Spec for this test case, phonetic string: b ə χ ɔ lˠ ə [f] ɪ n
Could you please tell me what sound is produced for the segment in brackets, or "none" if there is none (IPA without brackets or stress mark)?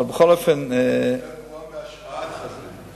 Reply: f